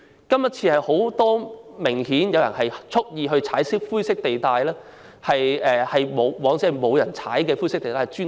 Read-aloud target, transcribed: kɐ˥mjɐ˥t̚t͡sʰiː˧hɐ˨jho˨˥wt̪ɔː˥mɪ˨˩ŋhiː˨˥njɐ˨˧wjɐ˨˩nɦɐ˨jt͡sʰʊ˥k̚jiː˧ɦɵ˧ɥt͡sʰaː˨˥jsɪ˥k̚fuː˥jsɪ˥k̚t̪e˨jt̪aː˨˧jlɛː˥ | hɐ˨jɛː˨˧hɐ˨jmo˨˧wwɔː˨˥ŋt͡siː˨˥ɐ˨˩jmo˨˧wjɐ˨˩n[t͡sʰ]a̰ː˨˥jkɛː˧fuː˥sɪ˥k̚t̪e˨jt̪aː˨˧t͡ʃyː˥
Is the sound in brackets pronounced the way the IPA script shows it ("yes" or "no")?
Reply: yes